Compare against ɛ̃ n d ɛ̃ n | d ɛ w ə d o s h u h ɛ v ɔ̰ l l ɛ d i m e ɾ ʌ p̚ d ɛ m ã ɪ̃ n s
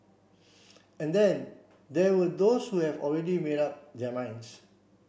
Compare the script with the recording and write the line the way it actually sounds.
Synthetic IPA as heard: ɛ̃ n d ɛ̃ n | d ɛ w ə d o s h u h ɛ v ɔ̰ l ɹ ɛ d i m e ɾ a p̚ d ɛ m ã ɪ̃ n s